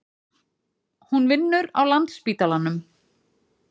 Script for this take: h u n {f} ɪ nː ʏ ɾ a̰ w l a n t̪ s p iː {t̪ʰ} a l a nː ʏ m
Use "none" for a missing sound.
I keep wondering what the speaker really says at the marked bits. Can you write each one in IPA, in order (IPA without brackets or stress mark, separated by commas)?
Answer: v, t̪